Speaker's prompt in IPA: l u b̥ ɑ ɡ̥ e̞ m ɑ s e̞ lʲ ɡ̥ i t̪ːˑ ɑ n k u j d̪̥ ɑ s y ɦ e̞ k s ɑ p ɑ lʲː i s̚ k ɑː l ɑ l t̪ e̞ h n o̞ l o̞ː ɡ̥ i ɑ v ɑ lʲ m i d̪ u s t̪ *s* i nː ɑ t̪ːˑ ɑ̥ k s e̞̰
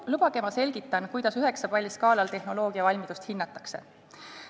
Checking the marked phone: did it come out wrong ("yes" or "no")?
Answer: yes